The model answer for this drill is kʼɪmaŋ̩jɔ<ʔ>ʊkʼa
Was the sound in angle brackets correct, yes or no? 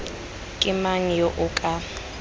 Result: yes